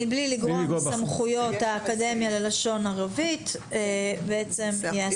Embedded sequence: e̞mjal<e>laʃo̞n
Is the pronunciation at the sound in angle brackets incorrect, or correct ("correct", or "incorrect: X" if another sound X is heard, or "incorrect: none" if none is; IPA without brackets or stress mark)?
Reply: correct